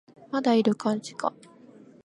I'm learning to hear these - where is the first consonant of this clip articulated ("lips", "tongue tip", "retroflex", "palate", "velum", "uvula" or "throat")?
lips